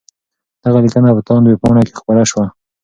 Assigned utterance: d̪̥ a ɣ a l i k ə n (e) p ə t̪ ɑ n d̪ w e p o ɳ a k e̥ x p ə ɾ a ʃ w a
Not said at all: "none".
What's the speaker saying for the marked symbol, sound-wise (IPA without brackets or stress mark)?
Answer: a